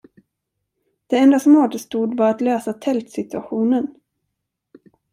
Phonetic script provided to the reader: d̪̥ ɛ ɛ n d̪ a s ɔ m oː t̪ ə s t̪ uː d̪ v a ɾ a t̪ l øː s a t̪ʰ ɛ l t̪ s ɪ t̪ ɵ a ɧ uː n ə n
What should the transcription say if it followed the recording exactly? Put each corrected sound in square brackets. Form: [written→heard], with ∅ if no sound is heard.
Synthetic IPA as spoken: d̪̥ ɛ ɛ n d̪ a s ɔ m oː t̪ ə s t̪ uː d̪ v a ɾ a t̪ l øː s a t̪ʰ ɛ l t̪ s ɪ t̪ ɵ a ɧ uː n ə n